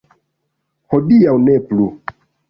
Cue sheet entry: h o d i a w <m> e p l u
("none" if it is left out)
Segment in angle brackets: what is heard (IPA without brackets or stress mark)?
n